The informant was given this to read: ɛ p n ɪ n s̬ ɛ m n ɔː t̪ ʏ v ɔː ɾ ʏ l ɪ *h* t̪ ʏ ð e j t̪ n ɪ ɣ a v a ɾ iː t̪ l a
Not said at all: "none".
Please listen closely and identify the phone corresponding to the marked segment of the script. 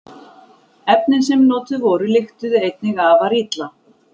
x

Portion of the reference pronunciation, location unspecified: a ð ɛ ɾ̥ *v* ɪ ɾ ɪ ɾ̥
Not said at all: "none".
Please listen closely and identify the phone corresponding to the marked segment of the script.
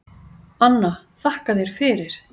f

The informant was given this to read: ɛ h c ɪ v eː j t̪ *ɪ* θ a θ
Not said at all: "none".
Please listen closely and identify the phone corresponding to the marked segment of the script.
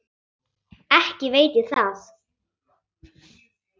ɪ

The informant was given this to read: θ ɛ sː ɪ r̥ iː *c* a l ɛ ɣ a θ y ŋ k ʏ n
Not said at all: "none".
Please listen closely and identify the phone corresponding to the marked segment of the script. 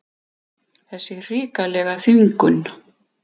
k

